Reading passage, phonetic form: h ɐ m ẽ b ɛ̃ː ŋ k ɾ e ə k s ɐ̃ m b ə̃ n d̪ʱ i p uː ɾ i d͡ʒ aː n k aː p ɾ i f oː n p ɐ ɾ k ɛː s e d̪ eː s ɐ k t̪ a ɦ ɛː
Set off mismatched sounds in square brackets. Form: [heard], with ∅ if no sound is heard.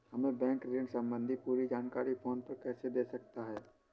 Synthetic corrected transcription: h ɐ m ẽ b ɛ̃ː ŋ k ɾ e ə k s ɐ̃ m b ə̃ n d̪ʱ i p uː ɾ i d͡ʒ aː n k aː [∅] ɾ i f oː n p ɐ ɾ k ɛː s e d̪ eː s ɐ k t̪ a ɦ ɛː